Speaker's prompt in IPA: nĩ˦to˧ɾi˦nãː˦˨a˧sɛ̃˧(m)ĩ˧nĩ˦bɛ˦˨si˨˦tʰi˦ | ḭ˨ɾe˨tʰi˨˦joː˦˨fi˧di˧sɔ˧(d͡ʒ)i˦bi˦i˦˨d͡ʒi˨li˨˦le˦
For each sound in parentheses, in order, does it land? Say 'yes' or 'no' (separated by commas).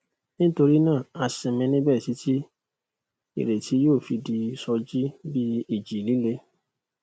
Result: yes, yes